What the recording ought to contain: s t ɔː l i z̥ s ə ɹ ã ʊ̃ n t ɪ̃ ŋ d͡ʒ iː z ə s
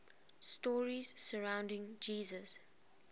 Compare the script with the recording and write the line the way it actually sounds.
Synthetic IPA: s t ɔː ɹ i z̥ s ə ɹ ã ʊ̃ n d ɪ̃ ŋ d͡ʒ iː z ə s